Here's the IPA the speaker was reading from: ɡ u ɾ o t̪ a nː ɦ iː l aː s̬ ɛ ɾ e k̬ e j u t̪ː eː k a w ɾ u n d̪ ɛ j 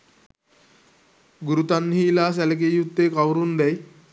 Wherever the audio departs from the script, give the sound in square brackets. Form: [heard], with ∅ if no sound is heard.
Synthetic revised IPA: ɡ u ɾ [u] t̪ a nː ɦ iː l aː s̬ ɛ [l] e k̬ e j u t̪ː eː k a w ɾ u n d̪ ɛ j

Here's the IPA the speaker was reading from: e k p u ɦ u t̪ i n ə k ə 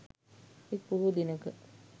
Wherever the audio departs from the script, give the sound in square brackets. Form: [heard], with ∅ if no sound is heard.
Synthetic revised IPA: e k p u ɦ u [d̪] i n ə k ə

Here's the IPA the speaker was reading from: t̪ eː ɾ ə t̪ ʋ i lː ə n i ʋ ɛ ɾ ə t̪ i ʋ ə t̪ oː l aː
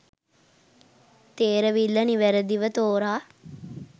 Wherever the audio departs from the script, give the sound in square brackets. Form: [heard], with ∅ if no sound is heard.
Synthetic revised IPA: t̪ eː ɾ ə [∅] ʋ i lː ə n i ʋ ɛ ɾ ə [d̪] i ʋ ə t̪ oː [ɾ] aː

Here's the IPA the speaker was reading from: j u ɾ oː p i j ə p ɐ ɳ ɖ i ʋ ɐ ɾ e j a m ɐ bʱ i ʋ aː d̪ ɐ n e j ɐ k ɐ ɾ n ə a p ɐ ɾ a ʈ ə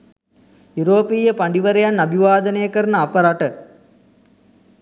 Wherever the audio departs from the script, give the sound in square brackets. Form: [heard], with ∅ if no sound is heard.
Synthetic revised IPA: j u ɾ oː p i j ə p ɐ ɳ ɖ i ʋ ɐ ɾ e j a [n] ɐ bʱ i ʋ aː d̪ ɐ n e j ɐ k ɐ ɾ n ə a p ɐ ɾ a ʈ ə

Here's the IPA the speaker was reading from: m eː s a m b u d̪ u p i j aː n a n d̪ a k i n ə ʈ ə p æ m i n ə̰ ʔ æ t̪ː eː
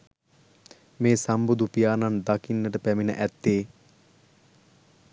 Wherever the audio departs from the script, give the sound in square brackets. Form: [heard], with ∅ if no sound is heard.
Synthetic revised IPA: m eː s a m b u d̪ u p i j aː n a n d̪ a k i [nː] ə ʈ ə p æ m i n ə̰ ʔ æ t̪ː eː

